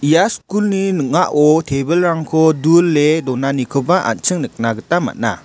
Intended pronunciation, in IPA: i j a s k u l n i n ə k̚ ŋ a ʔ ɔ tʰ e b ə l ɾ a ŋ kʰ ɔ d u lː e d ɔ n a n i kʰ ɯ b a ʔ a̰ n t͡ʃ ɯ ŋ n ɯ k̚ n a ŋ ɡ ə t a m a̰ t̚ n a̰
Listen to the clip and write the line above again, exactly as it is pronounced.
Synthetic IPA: i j a s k u l n i n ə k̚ ŋ a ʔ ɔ tʰ e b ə l ɾ a ŋ kʰ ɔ d u lː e d ɔ n a n i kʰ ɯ b a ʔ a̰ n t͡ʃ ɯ ŋ n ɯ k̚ n a ɡ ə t a m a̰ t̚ n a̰

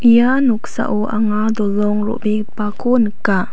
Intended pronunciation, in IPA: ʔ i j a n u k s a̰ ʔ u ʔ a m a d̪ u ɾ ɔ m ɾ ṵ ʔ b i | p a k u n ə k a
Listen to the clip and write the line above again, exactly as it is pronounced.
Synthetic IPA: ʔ i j a n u k s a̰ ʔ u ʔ a ŋ a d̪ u l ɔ ŋ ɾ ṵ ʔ b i | p a k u n ə k a

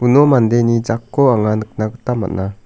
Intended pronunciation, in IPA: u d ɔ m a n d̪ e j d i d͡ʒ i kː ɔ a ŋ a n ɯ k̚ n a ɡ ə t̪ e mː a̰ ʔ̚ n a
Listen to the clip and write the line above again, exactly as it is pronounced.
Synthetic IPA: u n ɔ m a n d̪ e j n i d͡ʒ a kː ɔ a ŋ a n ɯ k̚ n a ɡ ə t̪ a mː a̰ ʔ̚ n a

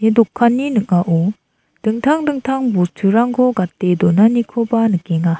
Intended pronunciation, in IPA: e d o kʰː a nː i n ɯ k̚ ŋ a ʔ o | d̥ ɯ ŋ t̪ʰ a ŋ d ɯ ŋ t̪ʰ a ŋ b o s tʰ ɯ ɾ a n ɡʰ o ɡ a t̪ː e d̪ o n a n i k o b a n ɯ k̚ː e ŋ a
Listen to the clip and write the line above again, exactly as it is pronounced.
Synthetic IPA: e d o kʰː a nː i n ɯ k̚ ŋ a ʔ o | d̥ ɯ ŋ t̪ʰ a ŋ d ɯ ŋ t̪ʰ a ŋ b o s tʰ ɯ ɾ a ŋ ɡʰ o ɡ a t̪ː e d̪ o n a n i kʰ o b a n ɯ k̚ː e ŋ a

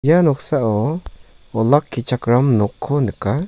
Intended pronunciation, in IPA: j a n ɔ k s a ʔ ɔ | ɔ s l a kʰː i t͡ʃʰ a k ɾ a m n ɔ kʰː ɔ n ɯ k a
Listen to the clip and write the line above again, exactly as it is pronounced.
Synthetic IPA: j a n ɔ k s a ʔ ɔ | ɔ l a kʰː i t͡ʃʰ a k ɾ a m n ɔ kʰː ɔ n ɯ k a

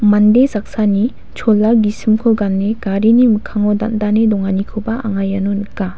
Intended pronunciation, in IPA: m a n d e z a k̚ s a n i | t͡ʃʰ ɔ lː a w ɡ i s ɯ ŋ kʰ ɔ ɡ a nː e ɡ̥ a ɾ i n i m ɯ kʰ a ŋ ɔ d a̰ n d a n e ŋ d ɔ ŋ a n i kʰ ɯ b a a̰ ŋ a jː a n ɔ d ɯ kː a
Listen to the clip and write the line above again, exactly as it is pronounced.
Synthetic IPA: m a n d e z a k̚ s a n i | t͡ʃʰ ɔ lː a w ɡ i s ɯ m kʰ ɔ ɡ a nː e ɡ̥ a ɾ i n i m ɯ kʰ a ŋ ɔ d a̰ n d a n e d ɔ ŋ a n i kʰ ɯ b a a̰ ŋ a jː a n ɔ n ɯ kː a

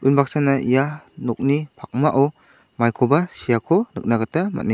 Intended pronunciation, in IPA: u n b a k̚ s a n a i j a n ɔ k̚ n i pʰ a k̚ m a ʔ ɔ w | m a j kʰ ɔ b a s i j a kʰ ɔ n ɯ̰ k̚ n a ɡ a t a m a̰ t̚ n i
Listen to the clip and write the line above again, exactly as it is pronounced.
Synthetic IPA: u n b a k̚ s a n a i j a n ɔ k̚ n i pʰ a k̚ m a ʔ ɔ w | m a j kʰ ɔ b a s i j a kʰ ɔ n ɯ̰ k̚ n a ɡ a t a m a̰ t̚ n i

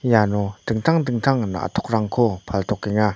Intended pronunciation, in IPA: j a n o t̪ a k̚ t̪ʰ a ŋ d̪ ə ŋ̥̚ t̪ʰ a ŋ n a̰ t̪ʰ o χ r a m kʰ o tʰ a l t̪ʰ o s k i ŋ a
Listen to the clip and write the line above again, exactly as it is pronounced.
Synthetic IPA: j a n o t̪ ə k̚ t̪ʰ a ŋ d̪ ə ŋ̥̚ t̪ʰ a ŋ n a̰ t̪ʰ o χ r a ŋ kʰ o pʰ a l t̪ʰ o χ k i ŋ a

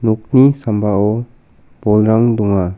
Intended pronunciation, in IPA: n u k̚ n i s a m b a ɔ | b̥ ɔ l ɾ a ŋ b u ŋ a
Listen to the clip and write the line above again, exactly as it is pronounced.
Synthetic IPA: n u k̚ n i s a m b a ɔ | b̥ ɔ l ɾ a ŋ d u ŋ a

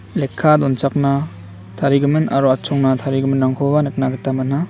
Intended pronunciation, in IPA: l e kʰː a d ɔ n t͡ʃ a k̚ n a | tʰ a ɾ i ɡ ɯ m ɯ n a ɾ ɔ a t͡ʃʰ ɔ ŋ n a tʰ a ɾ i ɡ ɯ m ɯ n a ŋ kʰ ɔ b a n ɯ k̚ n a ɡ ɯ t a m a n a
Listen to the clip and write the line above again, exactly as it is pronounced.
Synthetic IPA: l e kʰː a d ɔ n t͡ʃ a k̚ n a | tʰ a ɾ i ɡ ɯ m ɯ n a ɾ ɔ a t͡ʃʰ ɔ ŋ n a tʰ a ɾ i ɡ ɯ m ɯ n a ŋ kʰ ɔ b a n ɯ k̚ n a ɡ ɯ t a m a n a

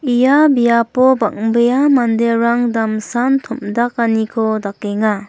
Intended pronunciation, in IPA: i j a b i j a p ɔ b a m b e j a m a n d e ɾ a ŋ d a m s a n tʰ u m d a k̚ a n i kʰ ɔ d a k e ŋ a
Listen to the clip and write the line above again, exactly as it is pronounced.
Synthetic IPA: i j a b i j a p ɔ b a ŋ b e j a m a n d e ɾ a ŋ d a m s a n tʰ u m d a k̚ a n i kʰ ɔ d a k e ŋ a

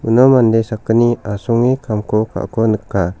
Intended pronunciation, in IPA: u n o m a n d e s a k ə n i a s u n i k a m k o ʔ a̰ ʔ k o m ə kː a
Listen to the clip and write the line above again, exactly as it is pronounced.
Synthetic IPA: u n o m a n d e s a k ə n i a s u ŋ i k a m k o k a̰ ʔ k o n ə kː a

